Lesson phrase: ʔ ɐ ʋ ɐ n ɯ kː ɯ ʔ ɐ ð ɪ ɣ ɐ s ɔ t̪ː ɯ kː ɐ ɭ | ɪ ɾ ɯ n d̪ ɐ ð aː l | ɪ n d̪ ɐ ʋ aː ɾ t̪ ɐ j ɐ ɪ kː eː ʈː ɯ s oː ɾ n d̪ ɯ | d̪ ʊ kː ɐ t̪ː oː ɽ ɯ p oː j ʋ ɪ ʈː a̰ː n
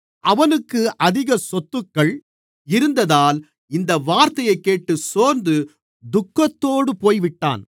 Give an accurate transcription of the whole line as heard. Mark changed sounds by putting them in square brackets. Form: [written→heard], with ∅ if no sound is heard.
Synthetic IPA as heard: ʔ ɐ ʋ ɐ n ɯ kː ɯ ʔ ɐ ð ɪ ɣ ɐ s ɔ t̪ː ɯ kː ɐ ɭ | ɪ ɾ ɯ n d̪ ɐ ð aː l | ɪ n d̪ ɐ ʋ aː ɾ t̪ ɐ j ɐ ɪ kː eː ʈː ɯ s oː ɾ n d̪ ɯ | d̪ ʊ kː ɐ t̪ː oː ɽ ɯ p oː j ʋ ɪ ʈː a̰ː n